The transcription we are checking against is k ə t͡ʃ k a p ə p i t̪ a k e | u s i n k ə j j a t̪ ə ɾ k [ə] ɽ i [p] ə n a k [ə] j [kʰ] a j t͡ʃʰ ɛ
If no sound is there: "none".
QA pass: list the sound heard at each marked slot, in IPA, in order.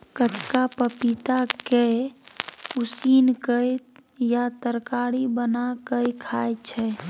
a, b, ə, kʰ

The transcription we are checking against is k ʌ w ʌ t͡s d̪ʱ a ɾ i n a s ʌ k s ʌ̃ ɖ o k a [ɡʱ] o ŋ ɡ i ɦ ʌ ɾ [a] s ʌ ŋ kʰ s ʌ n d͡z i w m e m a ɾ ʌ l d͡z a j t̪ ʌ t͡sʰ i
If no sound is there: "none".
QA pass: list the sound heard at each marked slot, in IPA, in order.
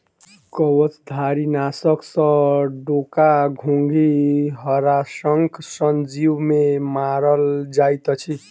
ɡʱ, a

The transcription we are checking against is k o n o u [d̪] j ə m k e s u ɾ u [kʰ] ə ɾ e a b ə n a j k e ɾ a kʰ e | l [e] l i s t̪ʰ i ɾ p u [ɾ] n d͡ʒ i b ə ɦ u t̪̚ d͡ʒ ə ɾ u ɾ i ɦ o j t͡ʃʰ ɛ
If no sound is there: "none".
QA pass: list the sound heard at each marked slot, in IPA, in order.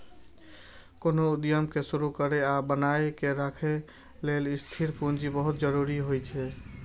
d̪, k, e, none

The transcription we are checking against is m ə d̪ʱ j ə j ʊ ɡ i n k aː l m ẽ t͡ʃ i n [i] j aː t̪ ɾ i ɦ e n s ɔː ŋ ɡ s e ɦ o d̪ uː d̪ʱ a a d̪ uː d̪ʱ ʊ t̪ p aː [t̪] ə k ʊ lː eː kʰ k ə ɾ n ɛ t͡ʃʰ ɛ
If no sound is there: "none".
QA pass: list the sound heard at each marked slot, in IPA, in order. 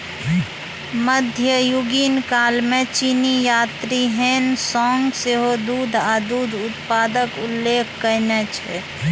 i, d̪

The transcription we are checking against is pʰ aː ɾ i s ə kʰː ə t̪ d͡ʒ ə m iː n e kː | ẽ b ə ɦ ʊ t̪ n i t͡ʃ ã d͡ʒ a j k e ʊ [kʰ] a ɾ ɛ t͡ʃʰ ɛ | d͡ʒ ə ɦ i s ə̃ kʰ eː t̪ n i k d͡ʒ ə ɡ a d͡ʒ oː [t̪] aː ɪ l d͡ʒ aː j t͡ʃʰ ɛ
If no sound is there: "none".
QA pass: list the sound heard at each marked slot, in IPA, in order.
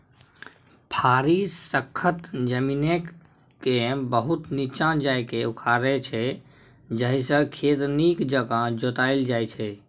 kʰ, t̪

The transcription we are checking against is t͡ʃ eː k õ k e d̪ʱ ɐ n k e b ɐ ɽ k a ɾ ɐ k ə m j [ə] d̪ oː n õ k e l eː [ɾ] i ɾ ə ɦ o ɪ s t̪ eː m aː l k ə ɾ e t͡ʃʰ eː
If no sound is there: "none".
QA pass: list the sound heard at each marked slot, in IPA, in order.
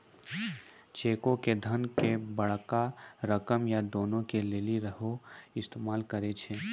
a, l

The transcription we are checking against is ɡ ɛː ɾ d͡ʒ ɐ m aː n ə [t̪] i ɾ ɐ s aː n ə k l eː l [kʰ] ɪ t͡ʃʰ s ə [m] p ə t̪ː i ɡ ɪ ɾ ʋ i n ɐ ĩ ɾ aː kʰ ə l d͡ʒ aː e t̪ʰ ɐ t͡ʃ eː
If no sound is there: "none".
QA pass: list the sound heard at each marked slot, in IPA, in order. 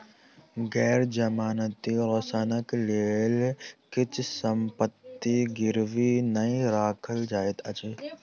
t̪, k, m

